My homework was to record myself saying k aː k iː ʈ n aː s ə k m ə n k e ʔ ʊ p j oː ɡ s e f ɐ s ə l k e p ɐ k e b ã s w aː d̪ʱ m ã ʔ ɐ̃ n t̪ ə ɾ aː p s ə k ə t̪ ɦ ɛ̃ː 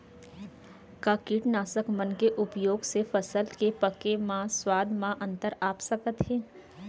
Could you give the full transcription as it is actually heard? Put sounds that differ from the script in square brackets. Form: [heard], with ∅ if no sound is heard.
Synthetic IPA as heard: k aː k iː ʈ n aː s ə k m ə n k e ʔ ʊ p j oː ɡ s e f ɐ s ə l k e p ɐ k e [m] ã s w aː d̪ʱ m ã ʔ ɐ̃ n t̪ ə ɾ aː p s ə k ə t̪ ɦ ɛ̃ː